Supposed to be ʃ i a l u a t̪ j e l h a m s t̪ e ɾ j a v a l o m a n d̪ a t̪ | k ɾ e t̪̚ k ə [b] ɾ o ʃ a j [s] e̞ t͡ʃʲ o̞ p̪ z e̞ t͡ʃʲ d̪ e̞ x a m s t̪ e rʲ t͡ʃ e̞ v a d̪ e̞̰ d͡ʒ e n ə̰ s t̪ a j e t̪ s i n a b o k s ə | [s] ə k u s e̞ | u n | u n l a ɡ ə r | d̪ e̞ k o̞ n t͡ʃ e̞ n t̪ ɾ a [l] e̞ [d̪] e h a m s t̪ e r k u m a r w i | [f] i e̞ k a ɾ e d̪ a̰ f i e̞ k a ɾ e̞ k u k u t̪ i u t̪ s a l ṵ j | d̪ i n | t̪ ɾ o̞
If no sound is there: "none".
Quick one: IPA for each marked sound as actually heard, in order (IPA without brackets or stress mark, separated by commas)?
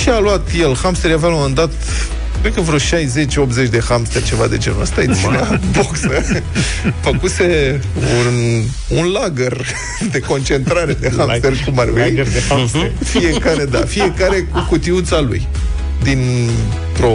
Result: v, z, f, ɾ, d̪, f